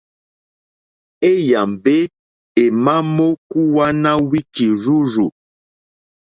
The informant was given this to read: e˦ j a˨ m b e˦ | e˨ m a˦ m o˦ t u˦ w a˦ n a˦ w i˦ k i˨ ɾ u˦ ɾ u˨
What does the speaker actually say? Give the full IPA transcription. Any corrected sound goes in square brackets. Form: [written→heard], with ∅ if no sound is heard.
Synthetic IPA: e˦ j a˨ m b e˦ | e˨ m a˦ m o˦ [t→k] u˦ w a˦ n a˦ w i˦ k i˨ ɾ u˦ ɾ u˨